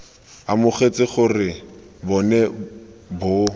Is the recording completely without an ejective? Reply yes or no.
yes